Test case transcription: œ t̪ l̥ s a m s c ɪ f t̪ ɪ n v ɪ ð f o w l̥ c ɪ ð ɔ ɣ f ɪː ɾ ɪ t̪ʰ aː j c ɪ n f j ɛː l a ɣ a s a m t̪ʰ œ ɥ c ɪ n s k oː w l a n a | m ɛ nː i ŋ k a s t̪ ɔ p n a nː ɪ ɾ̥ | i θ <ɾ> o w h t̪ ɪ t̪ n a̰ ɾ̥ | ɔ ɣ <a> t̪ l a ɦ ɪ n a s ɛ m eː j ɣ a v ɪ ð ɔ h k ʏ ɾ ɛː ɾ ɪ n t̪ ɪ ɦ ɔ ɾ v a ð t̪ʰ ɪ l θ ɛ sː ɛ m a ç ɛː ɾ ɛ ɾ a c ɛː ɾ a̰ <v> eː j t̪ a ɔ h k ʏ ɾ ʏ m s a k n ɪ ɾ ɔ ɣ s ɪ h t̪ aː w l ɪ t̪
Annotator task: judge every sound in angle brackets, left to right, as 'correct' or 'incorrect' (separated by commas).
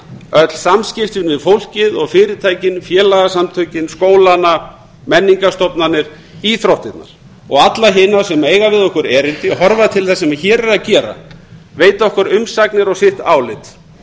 correct, correct, correct